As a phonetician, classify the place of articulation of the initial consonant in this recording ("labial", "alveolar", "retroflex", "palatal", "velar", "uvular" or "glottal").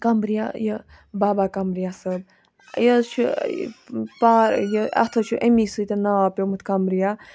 velar